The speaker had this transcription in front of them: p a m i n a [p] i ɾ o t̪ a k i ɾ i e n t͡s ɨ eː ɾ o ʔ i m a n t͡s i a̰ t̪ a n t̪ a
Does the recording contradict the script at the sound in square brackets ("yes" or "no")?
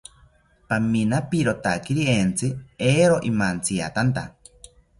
no